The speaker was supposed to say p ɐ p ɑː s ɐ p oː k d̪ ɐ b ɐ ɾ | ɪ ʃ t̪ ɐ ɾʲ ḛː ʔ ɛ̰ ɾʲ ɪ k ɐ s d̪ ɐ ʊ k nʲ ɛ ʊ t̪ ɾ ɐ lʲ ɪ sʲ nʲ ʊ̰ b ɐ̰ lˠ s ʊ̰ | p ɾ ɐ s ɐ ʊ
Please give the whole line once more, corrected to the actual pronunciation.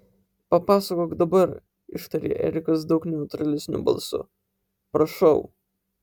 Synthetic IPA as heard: p ɐ p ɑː s ɐ k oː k d̪ ɐ b ɐ ɾ | ɪ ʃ t̪ ɐ ɾʲ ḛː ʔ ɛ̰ ɾʲ ɪ k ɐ s d̪ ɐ ʊ k nʲ ɛ ʊ t̪ ɾ ɐ lʲ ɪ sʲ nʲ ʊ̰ b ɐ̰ lˠ s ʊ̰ | p ɾ ɐ ʃ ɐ ʊ

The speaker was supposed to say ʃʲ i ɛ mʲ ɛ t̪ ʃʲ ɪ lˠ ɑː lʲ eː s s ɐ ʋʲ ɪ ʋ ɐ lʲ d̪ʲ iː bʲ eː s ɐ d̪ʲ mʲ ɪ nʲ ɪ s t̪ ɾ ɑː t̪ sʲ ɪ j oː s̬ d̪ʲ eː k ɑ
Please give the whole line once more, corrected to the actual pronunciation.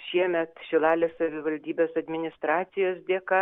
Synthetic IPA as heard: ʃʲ i ɛ mʲ ɛ t̪ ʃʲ ɪ lˠ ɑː lʲ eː s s ɐ ʋʲ ɪ ʋ ɐ lʲ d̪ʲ iː bʲ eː s ɐ d̪ʲ mʲ ɪ nʲ ɪ s t̪ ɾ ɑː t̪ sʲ ɪ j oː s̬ d̪ʲ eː k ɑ

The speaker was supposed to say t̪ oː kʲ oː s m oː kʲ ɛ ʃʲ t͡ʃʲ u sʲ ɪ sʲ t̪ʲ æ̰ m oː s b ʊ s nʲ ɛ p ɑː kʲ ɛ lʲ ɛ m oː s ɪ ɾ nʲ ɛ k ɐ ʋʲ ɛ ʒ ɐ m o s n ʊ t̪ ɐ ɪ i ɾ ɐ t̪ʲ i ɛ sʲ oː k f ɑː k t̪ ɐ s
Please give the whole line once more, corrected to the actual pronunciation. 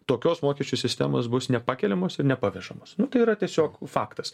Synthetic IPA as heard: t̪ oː kʲ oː s m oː kʲ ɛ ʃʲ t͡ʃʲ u sʲ ɪ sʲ t̪ʲ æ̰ m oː s b ʊ s nʲ ɛ p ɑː kʲ ɛ lʲ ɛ m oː s ɪ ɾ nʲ ɛ p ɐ ʋʲ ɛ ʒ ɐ m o s n ʊ t̪ ɐ ɪ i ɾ ɐ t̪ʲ i ɛ sʲ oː k f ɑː k t̪ ɐ s

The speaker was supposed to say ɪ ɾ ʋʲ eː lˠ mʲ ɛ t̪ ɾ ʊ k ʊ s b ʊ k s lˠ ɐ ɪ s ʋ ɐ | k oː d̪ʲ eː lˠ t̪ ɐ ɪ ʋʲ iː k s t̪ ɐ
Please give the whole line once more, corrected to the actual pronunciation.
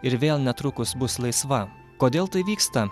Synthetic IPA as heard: ɪ ɾ ʋʲ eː lˠ nʲ ɛ t̪ ɾ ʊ k ʊ s b ʊ s lˠ ɐ ɪ s ʋ ɐ | k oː d̪ʲ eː lˠ t̪ ɐ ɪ ʋʲ iː k s t̪ ɐ

